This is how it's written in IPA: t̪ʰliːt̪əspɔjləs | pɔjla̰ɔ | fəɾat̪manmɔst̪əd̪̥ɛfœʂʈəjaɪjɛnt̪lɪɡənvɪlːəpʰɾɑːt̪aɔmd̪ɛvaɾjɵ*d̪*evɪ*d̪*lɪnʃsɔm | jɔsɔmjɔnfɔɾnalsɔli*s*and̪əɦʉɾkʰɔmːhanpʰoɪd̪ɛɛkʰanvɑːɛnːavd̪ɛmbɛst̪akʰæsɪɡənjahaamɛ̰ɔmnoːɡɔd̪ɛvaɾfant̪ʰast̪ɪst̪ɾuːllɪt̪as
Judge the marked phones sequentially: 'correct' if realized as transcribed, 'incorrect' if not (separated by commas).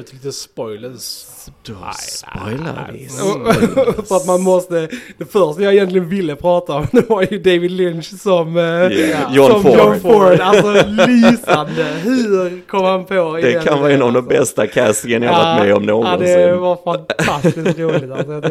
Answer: correct, correct, correct